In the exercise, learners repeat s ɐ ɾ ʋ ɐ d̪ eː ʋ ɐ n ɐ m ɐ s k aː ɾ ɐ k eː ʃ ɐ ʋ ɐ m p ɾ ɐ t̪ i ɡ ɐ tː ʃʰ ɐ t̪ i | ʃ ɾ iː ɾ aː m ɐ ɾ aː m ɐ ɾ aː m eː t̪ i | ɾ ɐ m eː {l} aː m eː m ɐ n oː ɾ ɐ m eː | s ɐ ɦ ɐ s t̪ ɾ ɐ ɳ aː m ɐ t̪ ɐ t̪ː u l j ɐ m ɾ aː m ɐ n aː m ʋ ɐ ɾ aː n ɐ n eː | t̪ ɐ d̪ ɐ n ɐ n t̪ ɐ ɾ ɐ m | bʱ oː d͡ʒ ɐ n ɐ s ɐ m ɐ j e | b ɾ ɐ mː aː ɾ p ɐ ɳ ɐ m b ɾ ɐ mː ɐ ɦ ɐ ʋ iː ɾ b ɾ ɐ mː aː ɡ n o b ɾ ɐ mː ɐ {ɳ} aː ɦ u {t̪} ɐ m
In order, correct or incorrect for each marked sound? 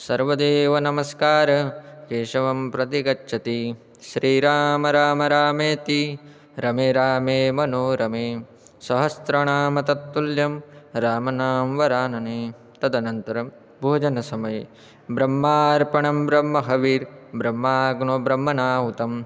incorrect: ɾ, incorrect: n, correct

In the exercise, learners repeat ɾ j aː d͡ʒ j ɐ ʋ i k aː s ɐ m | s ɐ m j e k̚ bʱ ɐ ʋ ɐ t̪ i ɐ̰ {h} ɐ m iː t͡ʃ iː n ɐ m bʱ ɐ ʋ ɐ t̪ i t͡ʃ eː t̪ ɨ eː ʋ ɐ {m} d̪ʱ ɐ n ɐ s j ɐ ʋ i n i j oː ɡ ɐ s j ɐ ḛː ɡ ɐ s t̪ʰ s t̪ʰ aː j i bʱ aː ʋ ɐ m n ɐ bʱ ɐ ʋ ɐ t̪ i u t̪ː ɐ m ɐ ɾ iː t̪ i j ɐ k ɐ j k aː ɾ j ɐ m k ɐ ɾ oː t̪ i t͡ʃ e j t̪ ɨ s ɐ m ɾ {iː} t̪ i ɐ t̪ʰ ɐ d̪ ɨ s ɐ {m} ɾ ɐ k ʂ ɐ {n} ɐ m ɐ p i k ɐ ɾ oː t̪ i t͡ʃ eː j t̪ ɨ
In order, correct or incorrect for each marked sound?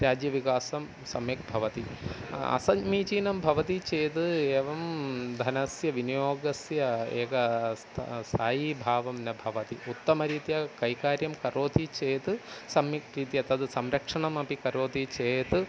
incorrect: s, correct, correct, correct, incorrect: ɳ

